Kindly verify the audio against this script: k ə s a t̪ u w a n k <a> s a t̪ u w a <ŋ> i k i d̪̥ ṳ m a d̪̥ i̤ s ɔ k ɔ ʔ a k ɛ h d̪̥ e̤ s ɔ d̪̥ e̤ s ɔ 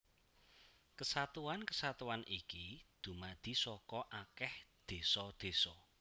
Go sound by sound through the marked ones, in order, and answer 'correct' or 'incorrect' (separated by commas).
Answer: incorrect, incorrect